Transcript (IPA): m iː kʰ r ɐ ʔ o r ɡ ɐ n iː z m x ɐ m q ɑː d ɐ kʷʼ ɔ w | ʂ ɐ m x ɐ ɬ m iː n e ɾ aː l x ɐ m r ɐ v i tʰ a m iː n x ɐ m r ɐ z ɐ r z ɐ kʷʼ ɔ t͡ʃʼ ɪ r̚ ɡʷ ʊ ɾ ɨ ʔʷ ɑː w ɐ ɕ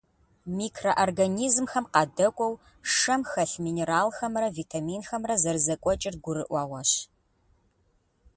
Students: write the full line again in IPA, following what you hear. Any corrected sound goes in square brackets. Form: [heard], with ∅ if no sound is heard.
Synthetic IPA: m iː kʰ r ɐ ʔ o r ɡ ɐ n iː z m x ɐ m q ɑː d ɐ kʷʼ ɔ w | ʂ ɐ m x ɐ ɬ m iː n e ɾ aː l x ɐ m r ɐ v i tʰ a m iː n x ɐ m r ɐ z ɐ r z ɐ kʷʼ ɔ t͡ʃʼ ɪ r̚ ɡʷ ʊ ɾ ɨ ʔʷ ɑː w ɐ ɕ